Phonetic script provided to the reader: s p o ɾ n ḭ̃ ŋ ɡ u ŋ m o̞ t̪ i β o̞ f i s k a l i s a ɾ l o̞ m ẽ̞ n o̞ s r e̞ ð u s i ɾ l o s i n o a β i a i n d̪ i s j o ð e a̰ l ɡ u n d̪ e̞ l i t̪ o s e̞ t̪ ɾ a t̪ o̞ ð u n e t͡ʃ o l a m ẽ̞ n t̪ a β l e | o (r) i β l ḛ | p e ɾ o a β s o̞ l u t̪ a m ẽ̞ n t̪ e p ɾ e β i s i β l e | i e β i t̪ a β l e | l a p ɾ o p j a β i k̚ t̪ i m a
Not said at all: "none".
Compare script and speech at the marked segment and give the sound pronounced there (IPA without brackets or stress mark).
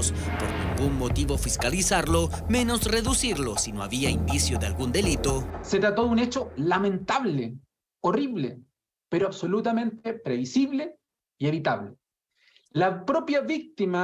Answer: r